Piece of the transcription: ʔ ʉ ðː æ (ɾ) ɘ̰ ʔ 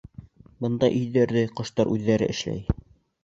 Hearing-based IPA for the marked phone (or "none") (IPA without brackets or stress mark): ɾ